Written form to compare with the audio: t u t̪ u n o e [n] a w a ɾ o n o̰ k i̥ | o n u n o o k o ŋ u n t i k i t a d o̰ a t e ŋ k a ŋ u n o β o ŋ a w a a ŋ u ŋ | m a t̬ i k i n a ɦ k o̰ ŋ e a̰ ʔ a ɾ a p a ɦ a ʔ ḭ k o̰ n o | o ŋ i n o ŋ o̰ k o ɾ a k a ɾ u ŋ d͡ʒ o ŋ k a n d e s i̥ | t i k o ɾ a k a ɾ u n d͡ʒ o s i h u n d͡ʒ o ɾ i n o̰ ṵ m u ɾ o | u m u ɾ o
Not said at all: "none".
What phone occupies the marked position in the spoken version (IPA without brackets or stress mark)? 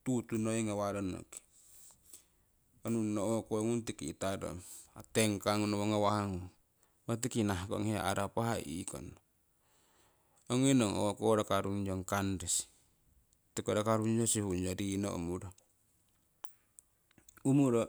ŋ